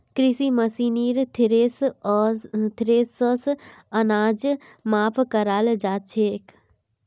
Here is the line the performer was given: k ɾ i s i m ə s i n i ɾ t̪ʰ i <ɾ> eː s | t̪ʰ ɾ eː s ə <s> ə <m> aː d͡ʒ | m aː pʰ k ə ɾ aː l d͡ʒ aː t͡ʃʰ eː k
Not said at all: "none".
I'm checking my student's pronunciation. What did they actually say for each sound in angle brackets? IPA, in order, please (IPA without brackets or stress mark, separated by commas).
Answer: ɾ, s, n